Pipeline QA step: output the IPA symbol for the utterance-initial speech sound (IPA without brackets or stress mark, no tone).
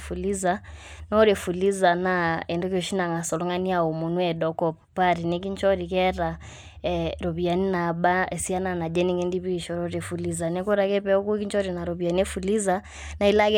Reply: f